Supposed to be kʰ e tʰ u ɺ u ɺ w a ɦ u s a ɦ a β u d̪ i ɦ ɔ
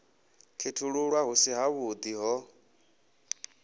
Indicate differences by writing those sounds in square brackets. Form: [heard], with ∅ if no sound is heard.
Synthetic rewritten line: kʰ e tʰ u ɺ u ɺ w a ɦ u s [i] ɦ a β u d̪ i ɦ ɔ